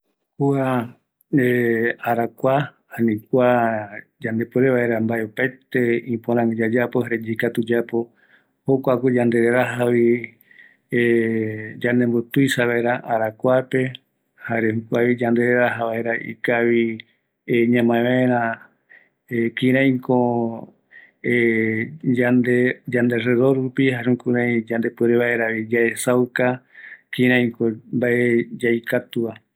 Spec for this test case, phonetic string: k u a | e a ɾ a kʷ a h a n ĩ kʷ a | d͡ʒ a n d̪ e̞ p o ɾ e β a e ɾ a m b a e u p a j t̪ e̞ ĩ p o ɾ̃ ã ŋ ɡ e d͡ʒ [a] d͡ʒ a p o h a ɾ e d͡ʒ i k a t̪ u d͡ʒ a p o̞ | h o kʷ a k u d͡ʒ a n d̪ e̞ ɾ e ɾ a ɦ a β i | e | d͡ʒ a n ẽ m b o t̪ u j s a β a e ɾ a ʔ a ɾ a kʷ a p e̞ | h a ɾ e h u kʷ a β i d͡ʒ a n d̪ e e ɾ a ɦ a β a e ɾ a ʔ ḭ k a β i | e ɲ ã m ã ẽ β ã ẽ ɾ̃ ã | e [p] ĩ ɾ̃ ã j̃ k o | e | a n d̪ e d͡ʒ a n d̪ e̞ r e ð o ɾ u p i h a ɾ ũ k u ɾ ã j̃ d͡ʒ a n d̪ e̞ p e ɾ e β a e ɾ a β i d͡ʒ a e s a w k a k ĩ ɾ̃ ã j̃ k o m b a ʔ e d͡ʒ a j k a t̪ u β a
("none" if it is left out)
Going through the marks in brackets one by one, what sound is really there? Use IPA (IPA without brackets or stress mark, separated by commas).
a, k